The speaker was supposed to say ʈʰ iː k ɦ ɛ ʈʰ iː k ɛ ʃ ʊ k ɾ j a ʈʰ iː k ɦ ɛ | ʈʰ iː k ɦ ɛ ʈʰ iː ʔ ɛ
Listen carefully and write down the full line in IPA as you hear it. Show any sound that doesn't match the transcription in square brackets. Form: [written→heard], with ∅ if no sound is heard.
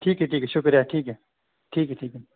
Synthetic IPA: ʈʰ iː k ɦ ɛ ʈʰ iː k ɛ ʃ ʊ k ɾ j a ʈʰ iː k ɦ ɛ | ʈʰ iː k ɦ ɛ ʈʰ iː [ʔ→k] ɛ